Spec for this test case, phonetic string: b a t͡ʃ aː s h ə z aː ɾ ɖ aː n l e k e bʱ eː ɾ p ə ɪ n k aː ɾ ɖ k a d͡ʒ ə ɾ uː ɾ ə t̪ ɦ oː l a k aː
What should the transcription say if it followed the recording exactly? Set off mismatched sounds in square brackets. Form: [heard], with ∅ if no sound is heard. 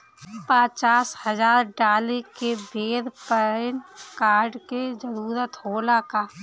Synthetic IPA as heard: [p] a t͡ʃ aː s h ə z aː ɾ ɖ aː [∅] l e k e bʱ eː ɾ p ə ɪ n k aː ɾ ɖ k [e] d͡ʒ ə ɾ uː ɾ ə t̪ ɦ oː l a k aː